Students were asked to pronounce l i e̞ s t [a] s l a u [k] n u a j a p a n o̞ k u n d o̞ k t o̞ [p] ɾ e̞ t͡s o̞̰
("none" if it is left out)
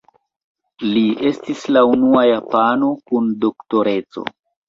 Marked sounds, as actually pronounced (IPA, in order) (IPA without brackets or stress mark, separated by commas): i, none, none